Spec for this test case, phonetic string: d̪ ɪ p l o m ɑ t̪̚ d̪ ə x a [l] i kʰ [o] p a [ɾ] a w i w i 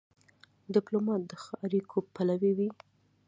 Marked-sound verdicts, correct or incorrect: incorrect: ɾ, correct, incorrect: l

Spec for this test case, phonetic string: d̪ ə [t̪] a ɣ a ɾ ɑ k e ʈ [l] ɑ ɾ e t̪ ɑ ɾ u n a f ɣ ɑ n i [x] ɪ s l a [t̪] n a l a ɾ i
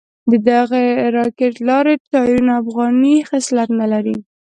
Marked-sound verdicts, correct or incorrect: incorrect: d̪, correct, correct, correct

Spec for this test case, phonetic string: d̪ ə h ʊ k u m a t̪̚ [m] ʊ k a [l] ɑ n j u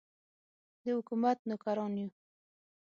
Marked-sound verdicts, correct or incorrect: incorrect: n, incorrect: ɾ

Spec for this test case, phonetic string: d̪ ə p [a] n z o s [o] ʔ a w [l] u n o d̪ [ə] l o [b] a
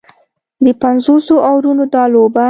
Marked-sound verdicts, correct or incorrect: correct, correct, incorrect: ɾ, incorrect: ɑ, correct

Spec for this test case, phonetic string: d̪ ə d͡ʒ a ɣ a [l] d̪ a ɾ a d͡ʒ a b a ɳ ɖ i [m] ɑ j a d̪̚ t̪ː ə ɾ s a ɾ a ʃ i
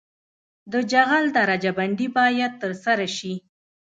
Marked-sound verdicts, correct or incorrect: correct, incorrect: b

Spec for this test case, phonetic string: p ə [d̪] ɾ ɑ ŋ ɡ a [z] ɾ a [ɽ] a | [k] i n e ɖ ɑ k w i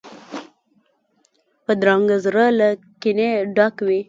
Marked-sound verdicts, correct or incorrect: correct, correct, incorrect: l, correct

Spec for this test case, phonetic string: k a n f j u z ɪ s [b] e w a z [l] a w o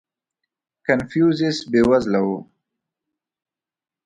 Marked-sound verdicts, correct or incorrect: correct, correct

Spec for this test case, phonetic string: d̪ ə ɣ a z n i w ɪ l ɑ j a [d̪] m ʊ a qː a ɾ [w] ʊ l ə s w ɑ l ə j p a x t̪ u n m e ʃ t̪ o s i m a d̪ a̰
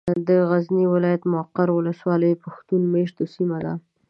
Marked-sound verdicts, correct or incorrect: incorrect: t̪, correct

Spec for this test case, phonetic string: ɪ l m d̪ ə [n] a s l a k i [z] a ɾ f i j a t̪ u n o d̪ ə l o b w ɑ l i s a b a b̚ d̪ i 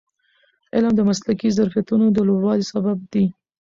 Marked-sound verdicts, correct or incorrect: incorrect: m, correct

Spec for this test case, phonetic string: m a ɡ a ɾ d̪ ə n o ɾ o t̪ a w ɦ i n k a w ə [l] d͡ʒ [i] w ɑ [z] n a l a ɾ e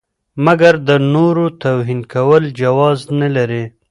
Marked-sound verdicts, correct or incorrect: correct, incorrect: a, correct

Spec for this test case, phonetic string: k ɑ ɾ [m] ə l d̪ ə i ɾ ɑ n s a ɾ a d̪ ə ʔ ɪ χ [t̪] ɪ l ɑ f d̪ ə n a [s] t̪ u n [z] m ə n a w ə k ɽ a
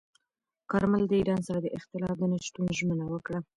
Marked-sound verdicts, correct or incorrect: correct, correct, incorrect: ʃ, incorrect: ʒ

